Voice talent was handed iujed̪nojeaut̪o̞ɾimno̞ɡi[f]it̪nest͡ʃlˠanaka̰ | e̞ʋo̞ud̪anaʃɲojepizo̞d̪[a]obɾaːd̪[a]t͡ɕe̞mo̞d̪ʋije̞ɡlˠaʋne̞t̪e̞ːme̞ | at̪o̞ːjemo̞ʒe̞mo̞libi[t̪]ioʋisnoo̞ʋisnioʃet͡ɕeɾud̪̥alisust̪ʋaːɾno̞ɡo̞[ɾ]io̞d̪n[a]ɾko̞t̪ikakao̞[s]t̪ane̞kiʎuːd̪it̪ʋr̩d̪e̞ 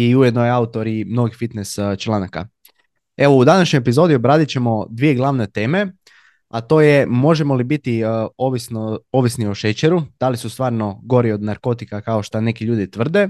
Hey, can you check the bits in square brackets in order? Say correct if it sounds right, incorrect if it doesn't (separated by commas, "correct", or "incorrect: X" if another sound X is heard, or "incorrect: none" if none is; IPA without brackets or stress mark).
correct, incorrect: i, incorrect: i, correct, correct, correct, incorrect: ʃ